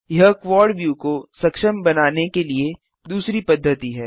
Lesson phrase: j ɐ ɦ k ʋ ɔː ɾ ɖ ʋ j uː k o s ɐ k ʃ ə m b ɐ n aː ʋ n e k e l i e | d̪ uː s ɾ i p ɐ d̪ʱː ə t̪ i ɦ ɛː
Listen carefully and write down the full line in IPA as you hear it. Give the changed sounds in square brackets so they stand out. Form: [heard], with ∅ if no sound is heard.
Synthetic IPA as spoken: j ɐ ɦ k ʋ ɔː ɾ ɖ ʋ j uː k o s ɐ k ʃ ə m b ɐ n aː [∅] n e k e l i e | d̪ uː s ɾ i p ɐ d̪ʱː ə t̪ i ɦ ɛː